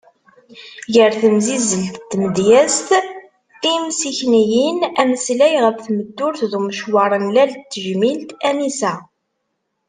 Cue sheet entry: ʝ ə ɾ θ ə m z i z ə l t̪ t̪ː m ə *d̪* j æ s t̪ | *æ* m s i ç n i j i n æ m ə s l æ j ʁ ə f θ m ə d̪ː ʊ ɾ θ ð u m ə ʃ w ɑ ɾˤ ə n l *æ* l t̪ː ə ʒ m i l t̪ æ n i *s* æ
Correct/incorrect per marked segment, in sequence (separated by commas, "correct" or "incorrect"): correct, incorrect, correct, correct